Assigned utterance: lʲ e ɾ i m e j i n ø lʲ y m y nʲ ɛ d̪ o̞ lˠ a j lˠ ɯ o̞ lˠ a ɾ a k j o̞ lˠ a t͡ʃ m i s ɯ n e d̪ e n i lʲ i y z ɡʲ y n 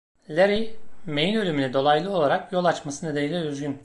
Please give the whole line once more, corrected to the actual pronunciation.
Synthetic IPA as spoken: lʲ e ɾ i m e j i n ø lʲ y m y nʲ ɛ d̪ o̞ lˠ a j lˠ ɯ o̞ lˠ a ɾ a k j o̞ lˠ a t͡ʃ m a s ɯ n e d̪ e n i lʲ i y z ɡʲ y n